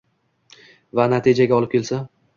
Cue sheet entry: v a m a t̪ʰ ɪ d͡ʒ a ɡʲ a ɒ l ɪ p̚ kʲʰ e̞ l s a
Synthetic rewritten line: v a n a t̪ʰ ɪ d͡ʒ a ɡʲ a ɒ l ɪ p̚ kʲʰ e̞ l s a